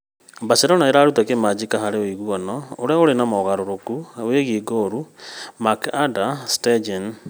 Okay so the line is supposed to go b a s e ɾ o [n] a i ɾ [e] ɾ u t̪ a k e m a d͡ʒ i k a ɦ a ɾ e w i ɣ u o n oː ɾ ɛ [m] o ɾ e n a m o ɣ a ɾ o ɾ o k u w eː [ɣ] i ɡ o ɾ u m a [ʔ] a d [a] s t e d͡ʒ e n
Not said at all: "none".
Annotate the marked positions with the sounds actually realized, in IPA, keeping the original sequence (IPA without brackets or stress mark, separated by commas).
n, a, none, ɣ, k, a